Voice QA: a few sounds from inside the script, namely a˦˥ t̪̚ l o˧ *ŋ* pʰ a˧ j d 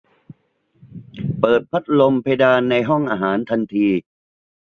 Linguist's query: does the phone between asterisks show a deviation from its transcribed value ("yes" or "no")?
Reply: yes